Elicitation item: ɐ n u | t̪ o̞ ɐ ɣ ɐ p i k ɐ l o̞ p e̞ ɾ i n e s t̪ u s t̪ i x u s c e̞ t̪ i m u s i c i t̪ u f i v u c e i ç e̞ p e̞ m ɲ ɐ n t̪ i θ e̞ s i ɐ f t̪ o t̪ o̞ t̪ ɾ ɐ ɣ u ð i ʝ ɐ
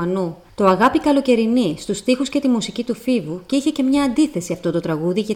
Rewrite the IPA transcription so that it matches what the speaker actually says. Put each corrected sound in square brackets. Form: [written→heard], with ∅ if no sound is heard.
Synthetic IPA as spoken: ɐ n u | t̪ o̞ ɐ ɣ ɐ p i k ɐ l o̞ [p→c] e̞ ɾ i n [e→i] s t̪ u s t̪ i x u s c e̞ t̪ i m u s i c i t̪ u f i v u c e i ç e̞ [p→c] e̞ m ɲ [ɐ→ɐː] n [t̪→d̪] i θ e̞ s i ɐ f t̪ o t̪ o̞ t̪ ɾ ɐ ɣ u ð i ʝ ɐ